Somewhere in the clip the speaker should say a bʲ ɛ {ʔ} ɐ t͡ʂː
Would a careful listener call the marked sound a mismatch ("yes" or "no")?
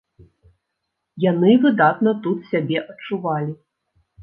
no